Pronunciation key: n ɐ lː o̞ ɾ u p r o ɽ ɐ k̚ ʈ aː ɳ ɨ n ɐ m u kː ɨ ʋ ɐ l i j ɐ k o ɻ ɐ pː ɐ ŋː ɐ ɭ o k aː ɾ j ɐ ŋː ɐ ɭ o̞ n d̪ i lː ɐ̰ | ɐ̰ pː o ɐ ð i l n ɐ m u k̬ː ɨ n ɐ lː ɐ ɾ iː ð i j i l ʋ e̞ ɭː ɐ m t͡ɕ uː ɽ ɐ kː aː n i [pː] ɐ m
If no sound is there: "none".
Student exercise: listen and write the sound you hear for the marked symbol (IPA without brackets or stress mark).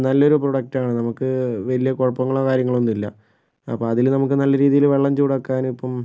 pː